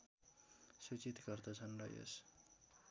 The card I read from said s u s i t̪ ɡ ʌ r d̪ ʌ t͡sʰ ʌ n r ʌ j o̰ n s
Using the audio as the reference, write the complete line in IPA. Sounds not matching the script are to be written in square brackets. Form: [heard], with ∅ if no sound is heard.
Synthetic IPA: s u [t͡s] i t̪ ɡ ʌ r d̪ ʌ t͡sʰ ʌ n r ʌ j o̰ [∅] s